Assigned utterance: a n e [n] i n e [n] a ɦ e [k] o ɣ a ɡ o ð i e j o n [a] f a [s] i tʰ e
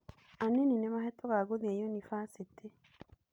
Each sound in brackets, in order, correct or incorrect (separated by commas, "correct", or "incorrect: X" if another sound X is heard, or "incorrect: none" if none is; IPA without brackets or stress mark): correct, incorrect: m, incorrect: t, incorrect: i, correct